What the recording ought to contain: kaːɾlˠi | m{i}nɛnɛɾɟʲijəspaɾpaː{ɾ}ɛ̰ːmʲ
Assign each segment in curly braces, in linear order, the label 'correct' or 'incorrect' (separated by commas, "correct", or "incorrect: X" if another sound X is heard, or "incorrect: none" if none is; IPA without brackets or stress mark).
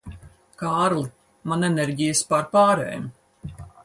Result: incorrect: a, correct